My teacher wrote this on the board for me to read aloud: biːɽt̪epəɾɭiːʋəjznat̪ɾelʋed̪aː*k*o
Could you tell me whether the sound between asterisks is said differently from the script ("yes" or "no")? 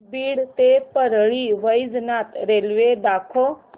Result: yes